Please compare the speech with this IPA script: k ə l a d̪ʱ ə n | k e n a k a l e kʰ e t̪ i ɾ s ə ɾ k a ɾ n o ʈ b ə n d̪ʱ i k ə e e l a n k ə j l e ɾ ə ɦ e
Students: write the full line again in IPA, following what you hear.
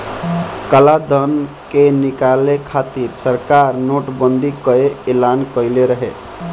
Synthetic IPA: k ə l a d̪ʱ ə n | k e n i k a l e kʰ a t̪ i ɾ s ə ɾ k a ɾ n o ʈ b ə n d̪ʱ i k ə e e l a n k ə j l e ɾ ə ɦ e